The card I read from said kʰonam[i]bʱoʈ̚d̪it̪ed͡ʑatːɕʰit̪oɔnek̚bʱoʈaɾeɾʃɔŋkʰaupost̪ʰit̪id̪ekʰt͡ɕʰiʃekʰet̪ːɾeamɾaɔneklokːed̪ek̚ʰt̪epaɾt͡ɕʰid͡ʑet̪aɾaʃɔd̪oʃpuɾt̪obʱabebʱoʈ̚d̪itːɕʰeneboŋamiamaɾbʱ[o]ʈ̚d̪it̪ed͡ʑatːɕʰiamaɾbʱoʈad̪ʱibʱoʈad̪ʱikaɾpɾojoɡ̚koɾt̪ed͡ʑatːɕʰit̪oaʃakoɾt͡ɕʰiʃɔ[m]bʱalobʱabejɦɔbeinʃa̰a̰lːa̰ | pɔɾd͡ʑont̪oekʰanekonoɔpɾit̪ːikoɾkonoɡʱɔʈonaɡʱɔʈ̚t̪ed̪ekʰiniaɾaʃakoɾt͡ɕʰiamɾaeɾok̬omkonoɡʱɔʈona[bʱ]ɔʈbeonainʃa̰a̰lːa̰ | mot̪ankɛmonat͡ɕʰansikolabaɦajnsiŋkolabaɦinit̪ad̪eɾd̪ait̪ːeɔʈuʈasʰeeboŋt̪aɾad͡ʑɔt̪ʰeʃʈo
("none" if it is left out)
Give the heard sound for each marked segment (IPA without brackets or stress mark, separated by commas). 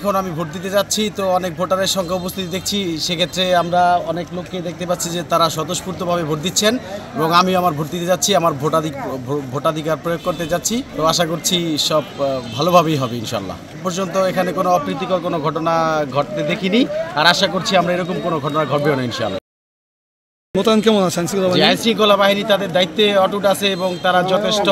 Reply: i, o, b, ɡʱ